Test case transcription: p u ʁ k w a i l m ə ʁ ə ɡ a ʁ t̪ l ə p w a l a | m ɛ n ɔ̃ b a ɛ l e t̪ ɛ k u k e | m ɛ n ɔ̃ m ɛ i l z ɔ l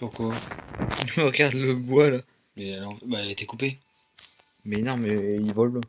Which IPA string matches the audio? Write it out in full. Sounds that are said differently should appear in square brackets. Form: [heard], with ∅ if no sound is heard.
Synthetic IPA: p u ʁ k w a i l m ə ʁ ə ɡ a ʁ [d̪] l ə [b] w a l a | m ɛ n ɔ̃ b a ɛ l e t̪ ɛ k u [p] e | m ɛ n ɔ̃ m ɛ i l [v] ɔ l